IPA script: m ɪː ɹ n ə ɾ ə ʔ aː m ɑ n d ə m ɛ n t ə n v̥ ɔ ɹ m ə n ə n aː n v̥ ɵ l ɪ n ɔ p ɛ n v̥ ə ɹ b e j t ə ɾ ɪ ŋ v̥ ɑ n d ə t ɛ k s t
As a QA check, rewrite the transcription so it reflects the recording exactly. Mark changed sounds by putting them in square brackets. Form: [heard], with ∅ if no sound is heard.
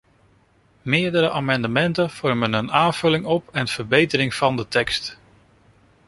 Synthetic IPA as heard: m ɪː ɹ [d] ə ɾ ə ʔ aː m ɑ n d ə m ɛ n t ə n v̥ ɔ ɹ m ə n ə n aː n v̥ ɵ l ɪ [ŋ] ɔ p ɛ n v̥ ə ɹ b e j t ə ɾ ɪ ŋ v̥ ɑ n d ə t ɛ k s t